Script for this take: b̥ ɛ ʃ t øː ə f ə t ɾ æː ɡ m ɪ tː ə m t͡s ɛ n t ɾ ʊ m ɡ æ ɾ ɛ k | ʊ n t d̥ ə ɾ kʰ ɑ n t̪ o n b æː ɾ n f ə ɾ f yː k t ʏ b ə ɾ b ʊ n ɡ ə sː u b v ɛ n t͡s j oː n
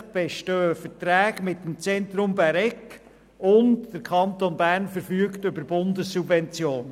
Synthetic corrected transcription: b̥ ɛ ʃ t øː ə f ə t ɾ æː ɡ m ɪ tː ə m t͡s ɛ n t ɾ ʊ m b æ ɾ ɛ k | ʊ n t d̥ ə ɾ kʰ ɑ n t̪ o n b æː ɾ n f ə ɾ f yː k t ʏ b ə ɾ b ʊ n d ə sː u b v ɛ n t͡s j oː n

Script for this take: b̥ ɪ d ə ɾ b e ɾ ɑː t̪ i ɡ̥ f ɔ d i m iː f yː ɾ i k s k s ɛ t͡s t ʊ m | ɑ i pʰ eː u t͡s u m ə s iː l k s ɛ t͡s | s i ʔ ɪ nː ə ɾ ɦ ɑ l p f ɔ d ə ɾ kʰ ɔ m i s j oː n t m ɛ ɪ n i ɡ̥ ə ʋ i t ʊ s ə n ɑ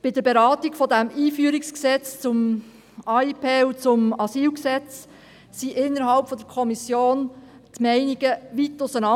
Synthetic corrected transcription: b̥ ɪ d ə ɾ b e ɾ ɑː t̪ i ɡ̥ f ɔ d æ m iː f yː ɾ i k s k s ɛ t͡s t͡s ʊ m | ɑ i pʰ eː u t͡s ʊ m ɑ s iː l k s ɛ t͡s | s i ʔ ɪ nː ə ɾ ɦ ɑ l p f ɔ d ə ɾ kʰ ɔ m i s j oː n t m ɛ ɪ n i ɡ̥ ə ʋ i t ʊ s ə n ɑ

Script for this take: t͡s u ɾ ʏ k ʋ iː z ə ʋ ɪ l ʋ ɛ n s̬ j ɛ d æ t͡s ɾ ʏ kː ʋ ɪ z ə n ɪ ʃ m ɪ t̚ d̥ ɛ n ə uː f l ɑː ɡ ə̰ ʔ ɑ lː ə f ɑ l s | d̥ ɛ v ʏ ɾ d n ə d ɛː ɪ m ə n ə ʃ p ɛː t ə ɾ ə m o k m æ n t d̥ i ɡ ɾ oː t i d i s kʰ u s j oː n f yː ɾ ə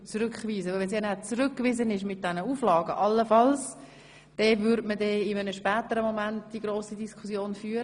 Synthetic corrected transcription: t͡s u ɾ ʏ k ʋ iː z ə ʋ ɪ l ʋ ɛ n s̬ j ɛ n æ t͡s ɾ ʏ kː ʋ ɪ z ə n ɪ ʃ m ɪ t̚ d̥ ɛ n ə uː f l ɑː ɡ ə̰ ʔ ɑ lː ə f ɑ l s | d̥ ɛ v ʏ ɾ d m ə d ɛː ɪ m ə n ə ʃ p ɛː t ə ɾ ə m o m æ n t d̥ i ɡ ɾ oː s i d i s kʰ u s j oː n f yː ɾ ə

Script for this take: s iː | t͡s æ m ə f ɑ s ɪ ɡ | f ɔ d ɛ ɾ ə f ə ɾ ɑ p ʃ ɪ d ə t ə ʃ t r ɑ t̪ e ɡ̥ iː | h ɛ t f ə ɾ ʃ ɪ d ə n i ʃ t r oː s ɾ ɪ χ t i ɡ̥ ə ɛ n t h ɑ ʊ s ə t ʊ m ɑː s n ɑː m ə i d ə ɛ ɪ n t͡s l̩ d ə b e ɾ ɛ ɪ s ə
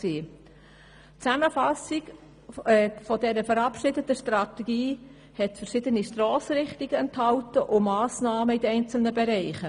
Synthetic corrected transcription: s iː | t͡s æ m ə f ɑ s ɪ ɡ | f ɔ d ɛ ɾ ə f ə ɾ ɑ p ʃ ɪ d ə t ə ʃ t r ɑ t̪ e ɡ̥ iː | h ɛ t f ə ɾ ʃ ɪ d ə n i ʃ t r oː s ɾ ɪ χ t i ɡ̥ ə ɛ n t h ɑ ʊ t ə ʔ ʊ m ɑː s n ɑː m ə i d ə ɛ ɪ n t͡s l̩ n ə b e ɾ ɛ ɪ χ ə

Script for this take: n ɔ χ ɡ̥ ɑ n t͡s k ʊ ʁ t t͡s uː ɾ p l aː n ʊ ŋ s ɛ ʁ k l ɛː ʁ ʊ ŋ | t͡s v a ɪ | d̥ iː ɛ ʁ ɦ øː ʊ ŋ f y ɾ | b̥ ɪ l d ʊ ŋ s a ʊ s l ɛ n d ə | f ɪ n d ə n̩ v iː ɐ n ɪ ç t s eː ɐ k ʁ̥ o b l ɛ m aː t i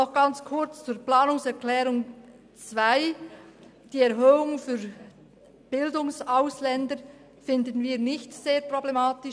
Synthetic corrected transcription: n ɔ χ ɡ̥ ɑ n t͡s kʰ ʊ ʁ t͡s t͡s uː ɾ p l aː n ʊ ŋ s ɛ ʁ k l ɛː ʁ ʊ ŋ | t͡s v a ɪ | d̥ iː ɛ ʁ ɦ øː ʊ ŋ f y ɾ | b̥ ɪ l d ʊ ŋ s a ʊ s l ɛ n d ə | f ɪ n d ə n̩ v iː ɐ n ɪ ç t s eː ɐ p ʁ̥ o b l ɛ m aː t ɪ

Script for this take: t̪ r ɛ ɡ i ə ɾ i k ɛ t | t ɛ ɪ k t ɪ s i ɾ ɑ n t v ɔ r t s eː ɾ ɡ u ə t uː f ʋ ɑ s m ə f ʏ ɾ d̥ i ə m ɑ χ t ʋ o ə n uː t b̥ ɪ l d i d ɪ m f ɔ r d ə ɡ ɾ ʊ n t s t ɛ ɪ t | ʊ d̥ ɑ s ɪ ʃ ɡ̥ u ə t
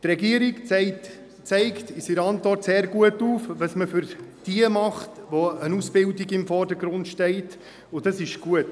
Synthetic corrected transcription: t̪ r ɛ ɡ i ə ɾ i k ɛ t | t͡s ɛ ɪ k t ɪ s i ɾ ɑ n t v ɔ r t s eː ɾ ɡ u ə t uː f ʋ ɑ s m ə f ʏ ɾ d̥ i ə m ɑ χ t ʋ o ə n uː s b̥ ɪ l d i ɡ ɪ m f ɔ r d ə ɡ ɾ ʊ n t ʃ t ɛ ɪ t | ʊ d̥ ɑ s ɪ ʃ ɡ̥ u ə t

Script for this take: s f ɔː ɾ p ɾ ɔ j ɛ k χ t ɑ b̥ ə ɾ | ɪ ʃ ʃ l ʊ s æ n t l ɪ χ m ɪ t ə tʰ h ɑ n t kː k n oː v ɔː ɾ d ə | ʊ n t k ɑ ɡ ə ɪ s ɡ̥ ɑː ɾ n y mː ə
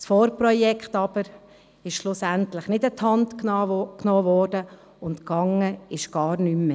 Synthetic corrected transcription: s f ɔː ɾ p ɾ ɔ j ɛ k χ t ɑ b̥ ə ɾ | ɪ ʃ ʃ l ʊ s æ n t l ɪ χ n ɪ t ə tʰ h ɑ n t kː k n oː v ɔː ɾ d ə | ʊ n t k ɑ ŋ ə ɪ ʃ ɡ̥ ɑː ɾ n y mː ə

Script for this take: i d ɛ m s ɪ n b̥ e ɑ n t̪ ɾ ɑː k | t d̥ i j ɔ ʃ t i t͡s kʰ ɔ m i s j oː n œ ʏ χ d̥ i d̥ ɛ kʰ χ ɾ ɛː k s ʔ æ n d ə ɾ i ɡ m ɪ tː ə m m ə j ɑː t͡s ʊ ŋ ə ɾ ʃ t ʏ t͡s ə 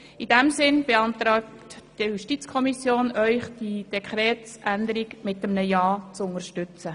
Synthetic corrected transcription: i d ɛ m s ɪ n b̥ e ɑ n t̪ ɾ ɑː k | t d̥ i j u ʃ t i t͡s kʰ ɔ m i s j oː n œ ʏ χ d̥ i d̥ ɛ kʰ χ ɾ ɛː t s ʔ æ n d ə ɾ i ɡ m ɪ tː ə m n ə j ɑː t͡s ʊ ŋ ə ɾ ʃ t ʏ t͡s ə

